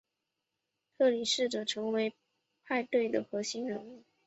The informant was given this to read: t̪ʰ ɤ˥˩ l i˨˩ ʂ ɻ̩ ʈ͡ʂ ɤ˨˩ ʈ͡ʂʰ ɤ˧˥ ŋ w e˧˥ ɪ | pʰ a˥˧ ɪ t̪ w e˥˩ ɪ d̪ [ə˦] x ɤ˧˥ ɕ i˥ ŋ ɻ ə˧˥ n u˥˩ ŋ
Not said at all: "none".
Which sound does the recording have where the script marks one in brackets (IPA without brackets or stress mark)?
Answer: ə˩